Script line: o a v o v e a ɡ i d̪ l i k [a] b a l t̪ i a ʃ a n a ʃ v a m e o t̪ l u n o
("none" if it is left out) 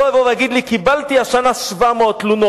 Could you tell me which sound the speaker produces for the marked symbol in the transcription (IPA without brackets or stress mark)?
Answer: i